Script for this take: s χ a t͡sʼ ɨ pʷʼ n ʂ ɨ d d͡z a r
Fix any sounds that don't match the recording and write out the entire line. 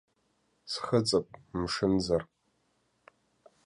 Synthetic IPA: s χ ə t͡sʼ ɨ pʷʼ m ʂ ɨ n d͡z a r